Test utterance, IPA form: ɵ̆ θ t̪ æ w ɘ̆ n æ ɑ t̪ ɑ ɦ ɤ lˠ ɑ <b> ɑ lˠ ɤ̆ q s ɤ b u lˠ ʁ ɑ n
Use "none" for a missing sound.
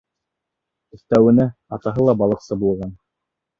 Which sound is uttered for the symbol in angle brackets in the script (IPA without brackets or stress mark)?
b